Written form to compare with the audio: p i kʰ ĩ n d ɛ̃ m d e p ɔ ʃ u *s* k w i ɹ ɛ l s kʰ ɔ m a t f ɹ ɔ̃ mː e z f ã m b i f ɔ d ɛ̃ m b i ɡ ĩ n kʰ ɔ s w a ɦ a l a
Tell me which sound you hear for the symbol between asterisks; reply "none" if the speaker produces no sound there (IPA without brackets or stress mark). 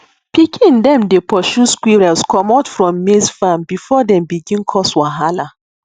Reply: s